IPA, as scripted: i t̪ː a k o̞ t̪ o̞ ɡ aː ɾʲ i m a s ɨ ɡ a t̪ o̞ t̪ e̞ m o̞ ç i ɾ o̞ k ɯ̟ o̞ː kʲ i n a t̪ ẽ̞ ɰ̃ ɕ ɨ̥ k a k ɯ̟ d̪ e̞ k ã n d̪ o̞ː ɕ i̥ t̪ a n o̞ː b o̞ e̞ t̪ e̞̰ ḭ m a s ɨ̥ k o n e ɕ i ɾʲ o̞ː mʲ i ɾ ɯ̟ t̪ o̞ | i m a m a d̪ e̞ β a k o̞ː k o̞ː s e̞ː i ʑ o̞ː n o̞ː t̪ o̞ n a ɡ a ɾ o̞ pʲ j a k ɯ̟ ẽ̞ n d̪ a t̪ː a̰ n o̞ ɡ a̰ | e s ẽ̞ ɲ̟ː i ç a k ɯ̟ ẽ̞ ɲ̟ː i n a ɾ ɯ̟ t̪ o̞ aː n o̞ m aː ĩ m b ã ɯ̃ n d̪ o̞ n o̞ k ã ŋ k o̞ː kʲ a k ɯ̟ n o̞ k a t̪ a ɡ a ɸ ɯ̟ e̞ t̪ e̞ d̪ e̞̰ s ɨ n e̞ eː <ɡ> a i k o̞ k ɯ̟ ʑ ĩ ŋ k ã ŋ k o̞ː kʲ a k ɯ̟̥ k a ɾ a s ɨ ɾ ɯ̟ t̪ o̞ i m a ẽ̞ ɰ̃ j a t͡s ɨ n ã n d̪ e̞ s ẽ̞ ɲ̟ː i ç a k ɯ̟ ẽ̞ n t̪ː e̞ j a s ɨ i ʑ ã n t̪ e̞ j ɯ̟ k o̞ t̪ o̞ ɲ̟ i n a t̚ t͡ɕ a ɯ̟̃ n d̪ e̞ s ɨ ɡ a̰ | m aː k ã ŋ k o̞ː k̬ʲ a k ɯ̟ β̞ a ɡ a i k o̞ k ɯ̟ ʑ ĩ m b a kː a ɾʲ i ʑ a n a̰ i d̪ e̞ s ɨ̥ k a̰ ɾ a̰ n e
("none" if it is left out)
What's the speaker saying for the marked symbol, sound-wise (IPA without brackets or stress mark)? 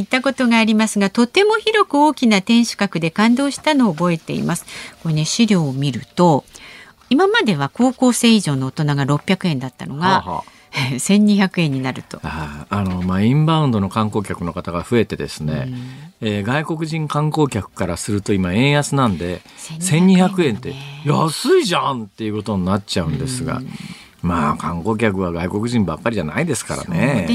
ɡ